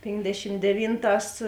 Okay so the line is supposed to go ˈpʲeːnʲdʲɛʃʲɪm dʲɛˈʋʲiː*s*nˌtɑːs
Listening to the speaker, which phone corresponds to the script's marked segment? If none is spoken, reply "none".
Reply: none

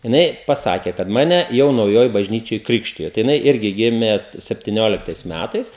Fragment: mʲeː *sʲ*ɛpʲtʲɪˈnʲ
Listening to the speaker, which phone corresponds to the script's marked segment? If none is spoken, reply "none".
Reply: sʲ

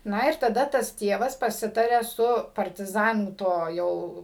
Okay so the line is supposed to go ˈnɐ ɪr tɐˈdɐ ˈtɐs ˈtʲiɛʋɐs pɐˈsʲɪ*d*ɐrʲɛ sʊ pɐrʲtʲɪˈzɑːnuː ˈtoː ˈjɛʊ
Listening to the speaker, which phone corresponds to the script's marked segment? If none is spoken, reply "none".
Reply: t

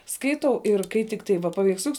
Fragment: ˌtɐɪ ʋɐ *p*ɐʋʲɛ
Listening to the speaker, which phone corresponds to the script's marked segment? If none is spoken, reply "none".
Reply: p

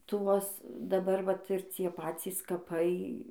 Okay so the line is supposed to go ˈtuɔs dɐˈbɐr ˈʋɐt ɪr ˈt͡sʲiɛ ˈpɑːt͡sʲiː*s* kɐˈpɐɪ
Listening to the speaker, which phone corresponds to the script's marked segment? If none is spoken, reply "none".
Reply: s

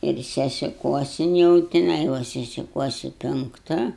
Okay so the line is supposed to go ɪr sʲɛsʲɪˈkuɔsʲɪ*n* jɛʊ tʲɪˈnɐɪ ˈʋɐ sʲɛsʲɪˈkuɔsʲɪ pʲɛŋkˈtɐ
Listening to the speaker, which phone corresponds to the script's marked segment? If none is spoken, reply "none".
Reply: n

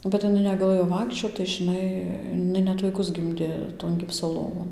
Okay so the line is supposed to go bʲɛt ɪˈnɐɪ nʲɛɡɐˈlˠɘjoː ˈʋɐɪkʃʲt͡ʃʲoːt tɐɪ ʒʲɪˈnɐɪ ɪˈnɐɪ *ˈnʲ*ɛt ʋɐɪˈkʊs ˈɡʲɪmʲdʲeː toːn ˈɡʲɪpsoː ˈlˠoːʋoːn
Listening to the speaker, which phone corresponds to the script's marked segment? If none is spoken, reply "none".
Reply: nʲ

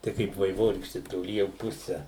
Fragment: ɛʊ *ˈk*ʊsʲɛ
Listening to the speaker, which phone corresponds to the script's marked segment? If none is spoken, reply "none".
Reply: p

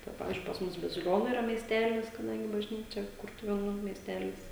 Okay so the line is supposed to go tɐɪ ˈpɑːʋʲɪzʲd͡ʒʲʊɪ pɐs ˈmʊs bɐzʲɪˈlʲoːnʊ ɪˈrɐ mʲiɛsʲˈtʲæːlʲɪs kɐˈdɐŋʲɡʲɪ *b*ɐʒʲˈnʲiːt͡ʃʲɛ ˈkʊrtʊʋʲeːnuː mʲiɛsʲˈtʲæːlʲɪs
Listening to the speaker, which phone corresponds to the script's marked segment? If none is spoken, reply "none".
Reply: b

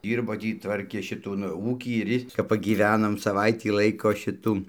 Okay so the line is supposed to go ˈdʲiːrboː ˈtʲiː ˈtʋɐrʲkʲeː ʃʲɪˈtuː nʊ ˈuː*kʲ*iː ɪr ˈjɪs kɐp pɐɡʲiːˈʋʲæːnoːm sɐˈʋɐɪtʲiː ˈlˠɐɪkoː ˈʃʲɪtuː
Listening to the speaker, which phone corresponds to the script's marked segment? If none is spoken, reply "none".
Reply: kʲ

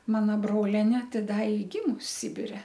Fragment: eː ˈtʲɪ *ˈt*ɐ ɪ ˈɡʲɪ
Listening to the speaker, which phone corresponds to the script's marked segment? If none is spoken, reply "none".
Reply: d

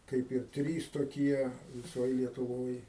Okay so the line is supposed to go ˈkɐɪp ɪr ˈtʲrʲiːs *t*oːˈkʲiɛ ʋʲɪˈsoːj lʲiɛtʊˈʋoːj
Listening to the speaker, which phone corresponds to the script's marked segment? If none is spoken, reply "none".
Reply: t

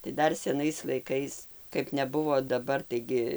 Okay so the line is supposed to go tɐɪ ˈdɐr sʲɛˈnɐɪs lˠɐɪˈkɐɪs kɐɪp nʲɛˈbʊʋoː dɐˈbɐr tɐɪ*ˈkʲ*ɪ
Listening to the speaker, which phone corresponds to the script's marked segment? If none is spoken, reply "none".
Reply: ɡʲ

